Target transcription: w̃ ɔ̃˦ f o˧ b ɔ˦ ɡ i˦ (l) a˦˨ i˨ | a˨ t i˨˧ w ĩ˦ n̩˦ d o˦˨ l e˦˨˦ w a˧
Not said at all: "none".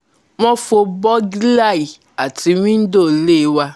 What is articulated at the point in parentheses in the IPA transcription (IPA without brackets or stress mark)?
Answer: l